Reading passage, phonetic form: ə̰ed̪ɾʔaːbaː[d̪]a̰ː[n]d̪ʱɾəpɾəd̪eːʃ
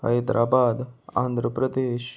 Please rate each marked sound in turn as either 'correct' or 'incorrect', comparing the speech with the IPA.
correct, correct

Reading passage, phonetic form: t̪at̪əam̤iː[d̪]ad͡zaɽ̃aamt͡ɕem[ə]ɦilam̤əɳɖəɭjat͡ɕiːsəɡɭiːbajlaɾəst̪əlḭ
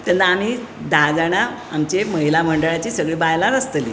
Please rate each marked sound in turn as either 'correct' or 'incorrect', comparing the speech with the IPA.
correct, correct

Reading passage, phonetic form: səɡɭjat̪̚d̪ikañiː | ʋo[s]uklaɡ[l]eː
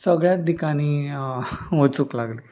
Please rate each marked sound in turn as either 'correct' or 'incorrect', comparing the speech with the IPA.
incorrect: t͡s, correct

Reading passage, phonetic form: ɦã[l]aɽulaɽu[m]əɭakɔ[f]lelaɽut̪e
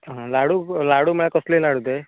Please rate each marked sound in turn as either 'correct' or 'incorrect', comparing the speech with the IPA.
correct, correct, incorrect: s

